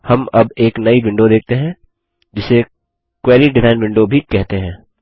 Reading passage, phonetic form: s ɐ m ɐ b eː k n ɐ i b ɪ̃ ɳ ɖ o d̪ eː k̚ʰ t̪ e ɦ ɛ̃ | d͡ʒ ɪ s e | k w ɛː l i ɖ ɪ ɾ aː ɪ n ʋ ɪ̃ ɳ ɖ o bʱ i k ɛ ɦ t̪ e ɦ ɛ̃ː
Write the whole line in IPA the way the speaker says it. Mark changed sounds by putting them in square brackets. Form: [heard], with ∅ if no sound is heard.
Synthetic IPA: [h] ɐ m ɐ b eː k n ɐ i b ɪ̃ ɳ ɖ o d̪ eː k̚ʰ t̪ e ɦ ɛ̃ | d͡ʒ ɪ s e | k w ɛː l i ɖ ɪ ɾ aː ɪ n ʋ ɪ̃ ɳ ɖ o bʱ i k ɛ ɦ t̪ e ɦ ɛ̃ː

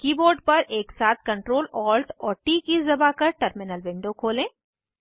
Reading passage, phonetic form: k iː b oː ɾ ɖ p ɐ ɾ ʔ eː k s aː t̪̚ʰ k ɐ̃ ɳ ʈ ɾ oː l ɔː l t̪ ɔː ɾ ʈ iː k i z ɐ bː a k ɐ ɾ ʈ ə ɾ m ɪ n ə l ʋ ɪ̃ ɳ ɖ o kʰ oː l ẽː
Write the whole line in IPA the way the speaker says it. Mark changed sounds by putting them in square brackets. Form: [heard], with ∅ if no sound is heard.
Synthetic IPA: k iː b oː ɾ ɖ p ɐ ɾ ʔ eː k s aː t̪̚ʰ k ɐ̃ ɳ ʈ ɾ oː l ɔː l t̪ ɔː ɾ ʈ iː k i z ɐ [b] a k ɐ ɾ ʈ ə ɾ m ɪ n ə l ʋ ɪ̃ ɳ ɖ o kʰ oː l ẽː

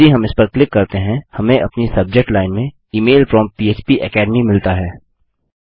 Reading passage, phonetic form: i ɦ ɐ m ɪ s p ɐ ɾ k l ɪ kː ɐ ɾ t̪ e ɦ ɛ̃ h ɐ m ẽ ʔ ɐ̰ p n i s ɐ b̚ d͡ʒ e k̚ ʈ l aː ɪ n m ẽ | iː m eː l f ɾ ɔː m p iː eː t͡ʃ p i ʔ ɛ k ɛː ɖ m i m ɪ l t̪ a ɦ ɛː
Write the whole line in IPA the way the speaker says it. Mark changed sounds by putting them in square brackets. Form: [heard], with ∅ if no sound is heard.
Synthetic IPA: i ɦ ɐ m ɪ s p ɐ ɾ k l ɪ kː ɐ ɾ t̪ e ɦ ɛ̃ h ɐ m ẽ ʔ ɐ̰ p n i s ɐ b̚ d͡ʒ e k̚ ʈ l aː ɪ n m ẽ | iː m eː l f ɾ ɔː m p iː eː t͡ʃ p i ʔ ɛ k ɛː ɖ m i m ɪ l t̪ a ɦ ɛː

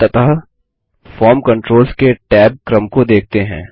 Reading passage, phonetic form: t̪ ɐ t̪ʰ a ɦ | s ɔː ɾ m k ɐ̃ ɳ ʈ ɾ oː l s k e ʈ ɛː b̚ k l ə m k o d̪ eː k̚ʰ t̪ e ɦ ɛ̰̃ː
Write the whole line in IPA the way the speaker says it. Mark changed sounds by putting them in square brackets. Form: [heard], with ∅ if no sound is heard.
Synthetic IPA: t̪ ɐ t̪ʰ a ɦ | [f] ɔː ɾ m k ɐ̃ ɳ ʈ ɾ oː l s k e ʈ ɛː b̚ k [ɾ] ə m k o d̪ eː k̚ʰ t̪ e ɦ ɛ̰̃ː

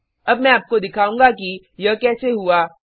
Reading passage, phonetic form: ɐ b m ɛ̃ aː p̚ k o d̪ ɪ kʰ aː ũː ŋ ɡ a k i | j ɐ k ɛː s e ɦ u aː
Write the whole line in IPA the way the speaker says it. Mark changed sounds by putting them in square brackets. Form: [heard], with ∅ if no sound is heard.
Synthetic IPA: ɐ b m ɛ̃ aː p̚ k o d̪ ɪ kʰ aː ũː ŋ ɡ a k i | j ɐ k ɛː s e ɦ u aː

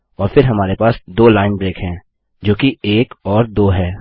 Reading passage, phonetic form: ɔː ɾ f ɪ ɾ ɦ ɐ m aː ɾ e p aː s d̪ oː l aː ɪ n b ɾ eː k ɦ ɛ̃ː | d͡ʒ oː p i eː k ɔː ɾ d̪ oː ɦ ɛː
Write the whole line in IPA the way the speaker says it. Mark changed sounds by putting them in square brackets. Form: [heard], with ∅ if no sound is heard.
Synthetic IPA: ɔː ɾ f ɪ ɾ ɦ ɐ m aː ɾ e p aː s d̪ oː l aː ɪ n b ɾ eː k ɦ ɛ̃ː | d͡ʒ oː [k] i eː k ɔː ɾ d̪ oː ɦ ɛː

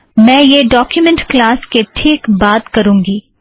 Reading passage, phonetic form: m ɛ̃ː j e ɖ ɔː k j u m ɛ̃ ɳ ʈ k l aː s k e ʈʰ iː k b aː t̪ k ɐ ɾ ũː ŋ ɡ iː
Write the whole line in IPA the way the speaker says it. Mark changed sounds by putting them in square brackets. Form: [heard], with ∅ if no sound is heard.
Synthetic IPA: m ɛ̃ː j e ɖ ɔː k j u m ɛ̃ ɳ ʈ k l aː s k e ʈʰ iː k b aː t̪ k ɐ ɾ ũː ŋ ɡ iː

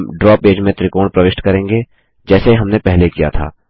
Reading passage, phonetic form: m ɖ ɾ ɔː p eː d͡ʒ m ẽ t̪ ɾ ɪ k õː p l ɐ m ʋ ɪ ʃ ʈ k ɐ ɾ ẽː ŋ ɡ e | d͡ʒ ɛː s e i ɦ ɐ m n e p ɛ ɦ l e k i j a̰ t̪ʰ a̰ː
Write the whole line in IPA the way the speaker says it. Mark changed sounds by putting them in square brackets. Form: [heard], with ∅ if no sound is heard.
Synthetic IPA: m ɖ ɾ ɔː p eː d͡ʒ m ẽ t̪ ɾ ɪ k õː p [ɾ] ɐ [∅] ʋ ɪ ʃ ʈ k ɐ ɾ ẽː ŋ ɡ e | d͡ʒ ɛː s e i ɦ ɐ m n e p ɛ ɦ l e k i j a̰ t̪ʰ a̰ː

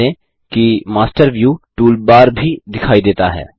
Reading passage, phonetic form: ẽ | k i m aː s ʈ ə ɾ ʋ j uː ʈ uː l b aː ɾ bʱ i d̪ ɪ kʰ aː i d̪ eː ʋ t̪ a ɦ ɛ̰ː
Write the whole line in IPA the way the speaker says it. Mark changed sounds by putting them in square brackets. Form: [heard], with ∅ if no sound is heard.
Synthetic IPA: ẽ | k i m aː s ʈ ə ɾ ʋ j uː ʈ uː l b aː ɾ bʱ i d̪ ɪ kʰ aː i d̪ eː [∅] t̪ a ɦ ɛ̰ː

